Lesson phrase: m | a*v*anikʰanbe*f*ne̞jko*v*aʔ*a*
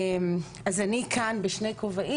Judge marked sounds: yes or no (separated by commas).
no, no, yes, no